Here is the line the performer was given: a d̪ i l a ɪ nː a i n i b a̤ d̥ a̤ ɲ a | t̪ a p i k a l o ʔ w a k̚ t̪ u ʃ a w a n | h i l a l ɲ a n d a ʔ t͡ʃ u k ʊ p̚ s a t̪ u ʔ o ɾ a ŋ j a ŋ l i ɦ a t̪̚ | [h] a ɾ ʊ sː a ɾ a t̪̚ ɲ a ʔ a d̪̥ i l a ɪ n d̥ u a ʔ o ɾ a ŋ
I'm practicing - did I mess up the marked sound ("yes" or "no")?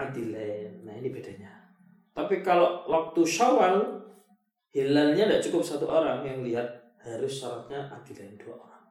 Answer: no